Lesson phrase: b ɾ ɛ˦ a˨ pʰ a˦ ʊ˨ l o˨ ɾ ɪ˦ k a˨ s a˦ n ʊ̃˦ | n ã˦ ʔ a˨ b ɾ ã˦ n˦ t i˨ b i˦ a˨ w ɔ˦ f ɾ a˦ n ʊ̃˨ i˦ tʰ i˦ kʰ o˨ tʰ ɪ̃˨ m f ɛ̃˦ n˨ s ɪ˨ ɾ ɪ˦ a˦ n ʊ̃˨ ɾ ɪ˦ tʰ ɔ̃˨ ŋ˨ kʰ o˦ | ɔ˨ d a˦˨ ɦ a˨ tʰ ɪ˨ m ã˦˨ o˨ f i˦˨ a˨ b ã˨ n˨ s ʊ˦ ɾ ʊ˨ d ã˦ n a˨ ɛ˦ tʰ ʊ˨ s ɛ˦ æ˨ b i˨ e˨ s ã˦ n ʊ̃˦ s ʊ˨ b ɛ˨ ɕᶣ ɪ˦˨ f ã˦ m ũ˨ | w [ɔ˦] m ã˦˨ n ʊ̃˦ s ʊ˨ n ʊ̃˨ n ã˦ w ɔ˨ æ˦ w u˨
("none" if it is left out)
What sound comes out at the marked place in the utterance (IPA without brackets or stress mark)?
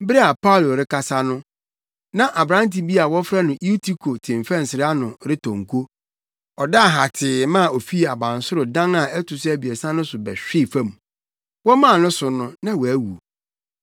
ɔ˦